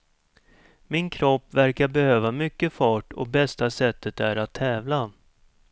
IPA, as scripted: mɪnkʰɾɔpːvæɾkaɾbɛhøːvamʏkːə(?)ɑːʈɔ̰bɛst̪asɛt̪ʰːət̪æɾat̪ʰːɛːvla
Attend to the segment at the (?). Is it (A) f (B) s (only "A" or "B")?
A